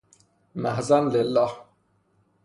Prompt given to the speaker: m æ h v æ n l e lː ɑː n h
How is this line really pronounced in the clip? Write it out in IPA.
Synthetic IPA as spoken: m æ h z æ n l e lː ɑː h